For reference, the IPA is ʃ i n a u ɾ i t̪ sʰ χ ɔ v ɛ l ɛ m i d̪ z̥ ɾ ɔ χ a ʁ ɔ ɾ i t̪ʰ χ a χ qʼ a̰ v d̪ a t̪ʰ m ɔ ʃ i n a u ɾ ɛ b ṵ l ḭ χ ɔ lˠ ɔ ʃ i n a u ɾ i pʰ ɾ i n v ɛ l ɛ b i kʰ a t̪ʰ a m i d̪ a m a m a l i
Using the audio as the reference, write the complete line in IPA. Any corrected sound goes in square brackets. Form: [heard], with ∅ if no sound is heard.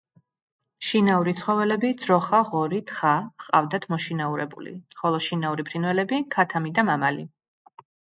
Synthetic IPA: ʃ i n a u ɾ i t̪ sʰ χ ɔ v ɛ l ɛ [b] i d̪ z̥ ɾ ɔ χ a ʁ ɔ ɾ i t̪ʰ χ a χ qʼ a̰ v d̪ a t̪ʰ m ɔ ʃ i n a u ɾ ɛ b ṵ l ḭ χ ɔ lˠ ɔ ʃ i n a u ɾ i pʰ ɾ i n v ɛ l ɛ b i kʰ a t̪ʰ a m i d̪ a m a m a l i